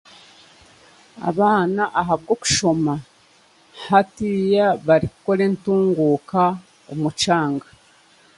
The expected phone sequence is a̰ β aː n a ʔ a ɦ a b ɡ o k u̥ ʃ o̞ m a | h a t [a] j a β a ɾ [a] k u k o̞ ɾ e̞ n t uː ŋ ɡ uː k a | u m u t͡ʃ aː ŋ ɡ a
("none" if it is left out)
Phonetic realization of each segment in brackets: i, i

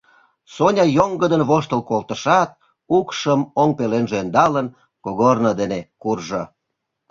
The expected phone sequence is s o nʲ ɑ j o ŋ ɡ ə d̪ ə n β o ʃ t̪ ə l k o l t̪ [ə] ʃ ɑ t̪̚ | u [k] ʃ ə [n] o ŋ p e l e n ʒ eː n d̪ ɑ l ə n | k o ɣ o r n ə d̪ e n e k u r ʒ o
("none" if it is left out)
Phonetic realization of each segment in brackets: ə, k, m

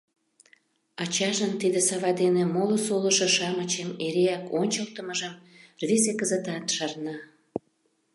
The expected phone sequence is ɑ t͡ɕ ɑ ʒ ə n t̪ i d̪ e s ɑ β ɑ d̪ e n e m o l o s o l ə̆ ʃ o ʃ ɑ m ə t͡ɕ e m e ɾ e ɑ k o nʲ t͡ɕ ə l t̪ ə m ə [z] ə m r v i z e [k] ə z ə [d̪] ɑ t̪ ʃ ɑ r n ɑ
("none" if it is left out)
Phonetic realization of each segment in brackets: ʒ, k, t̪

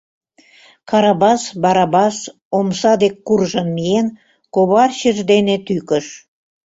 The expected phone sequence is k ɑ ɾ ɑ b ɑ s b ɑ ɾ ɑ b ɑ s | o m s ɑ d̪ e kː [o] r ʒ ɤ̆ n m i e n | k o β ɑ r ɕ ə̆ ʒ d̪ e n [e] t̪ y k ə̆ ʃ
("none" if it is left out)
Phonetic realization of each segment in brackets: u, e

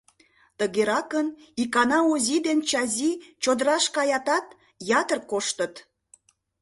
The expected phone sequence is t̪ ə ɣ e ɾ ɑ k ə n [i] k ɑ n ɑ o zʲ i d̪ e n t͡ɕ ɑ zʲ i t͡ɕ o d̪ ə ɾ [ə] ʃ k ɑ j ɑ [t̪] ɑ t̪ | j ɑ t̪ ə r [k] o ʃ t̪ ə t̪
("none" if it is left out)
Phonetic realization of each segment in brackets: i, ɑ, t̪, k

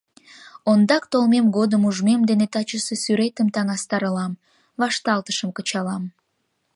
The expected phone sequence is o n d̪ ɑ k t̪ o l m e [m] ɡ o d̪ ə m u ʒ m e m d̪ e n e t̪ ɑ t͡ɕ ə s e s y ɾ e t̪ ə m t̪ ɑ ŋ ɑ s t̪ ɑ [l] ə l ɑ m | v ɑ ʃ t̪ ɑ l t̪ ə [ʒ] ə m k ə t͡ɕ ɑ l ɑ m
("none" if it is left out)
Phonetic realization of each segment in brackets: m, ɾ, ʃ

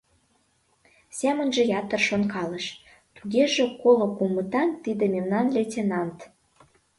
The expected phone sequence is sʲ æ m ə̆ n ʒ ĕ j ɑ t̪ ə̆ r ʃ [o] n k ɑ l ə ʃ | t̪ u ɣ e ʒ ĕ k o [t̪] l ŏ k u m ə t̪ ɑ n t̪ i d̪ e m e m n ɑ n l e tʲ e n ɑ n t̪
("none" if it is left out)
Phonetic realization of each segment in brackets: o, none

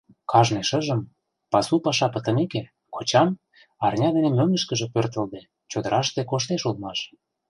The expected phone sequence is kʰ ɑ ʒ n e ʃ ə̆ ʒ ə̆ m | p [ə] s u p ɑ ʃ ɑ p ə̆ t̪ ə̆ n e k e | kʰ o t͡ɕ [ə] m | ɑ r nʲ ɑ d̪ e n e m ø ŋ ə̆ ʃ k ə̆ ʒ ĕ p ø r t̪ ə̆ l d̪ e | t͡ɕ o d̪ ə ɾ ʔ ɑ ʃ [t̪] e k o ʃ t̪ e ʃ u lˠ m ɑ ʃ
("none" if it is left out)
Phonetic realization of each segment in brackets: ɑ, ɑ, t̪

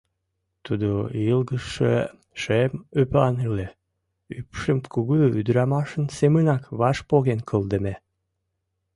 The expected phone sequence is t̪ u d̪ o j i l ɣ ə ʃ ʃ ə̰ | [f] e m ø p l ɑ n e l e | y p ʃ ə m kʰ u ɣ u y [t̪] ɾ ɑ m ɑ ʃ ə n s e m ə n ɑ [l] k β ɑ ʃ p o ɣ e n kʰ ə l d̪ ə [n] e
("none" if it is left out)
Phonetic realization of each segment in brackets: ʃ, d̪, none, m

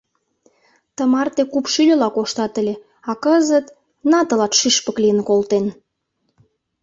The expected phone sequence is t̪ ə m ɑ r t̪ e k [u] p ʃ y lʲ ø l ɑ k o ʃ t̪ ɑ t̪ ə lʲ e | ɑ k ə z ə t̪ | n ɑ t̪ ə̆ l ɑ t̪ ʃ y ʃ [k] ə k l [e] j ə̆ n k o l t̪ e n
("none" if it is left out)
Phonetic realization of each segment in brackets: u, p, i

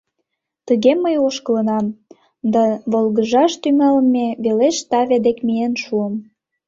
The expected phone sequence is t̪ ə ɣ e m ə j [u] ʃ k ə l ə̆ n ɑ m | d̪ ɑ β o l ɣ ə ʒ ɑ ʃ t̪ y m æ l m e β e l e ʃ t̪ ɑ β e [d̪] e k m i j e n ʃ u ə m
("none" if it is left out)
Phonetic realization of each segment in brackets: o, d̪

